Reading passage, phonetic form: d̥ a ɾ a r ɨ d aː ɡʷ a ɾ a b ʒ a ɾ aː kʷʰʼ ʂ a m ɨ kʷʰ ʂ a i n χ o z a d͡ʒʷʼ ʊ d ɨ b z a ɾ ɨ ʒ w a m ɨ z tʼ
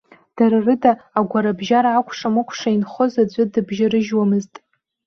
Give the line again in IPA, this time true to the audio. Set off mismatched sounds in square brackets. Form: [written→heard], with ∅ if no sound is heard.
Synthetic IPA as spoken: d̥ a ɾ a r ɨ d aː ɡʷ a ɾ a b ʒ a ɾ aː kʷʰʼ ʂ a m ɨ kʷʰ ʂ a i n χ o z a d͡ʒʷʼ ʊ d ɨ b [z→ʒ] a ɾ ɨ ʒ w a m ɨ z tʼ